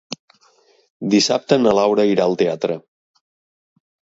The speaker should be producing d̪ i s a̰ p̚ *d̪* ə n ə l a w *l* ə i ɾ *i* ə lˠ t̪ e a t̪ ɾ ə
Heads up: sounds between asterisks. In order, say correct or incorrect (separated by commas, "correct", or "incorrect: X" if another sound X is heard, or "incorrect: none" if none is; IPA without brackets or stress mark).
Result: incorrect: t̪, incorrect: ɾ, incorrect: a